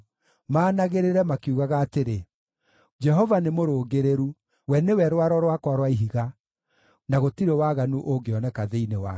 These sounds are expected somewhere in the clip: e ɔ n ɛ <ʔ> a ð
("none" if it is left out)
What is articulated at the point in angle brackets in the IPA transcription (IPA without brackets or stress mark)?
k